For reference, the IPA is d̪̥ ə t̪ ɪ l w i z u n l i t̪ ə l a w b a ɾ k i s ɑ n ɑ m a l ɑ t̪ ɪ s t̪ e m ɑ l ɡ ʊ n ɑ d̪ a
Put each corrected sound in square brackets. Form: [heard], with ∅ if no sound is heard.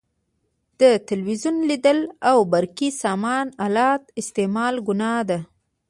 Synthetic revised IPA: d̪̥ ə t̪ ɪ l w i z u n l i [d̪] ə l a w b a ɾ k i s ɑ [m] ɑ [n] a l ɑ t̪ ɪ s t̪ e m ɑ l ɡ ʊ n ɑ d̪ a